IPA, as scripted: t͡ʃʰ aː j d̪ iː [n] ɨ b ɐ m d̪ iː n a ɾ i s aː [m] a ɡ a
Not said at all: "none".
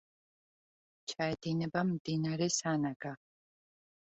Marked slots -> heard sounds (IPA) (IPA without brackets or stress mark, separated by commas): n, n